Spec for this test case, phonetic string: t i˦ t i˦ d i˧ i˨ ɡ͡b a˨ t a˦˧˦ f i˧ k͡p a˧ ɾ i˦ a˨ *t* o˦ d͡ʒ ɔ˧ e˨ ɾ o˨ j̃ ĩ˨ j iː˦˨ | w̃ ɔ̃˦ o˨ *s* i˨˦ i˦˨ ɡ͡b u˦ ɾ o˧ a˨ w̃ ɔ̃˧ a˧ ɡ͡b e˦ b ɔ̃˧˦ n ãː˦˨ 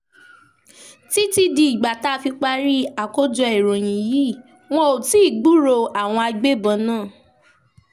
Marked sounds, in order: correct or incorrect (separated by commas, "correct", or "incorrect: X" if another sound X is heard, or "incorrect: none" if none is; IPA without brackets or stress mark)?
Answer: incorrect: k, incorrect: t